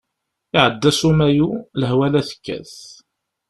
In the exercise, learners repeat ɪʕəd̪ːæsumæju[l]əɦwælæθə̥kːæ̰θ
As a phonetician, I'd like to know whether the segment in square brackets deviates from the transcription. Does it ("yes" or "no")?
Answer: no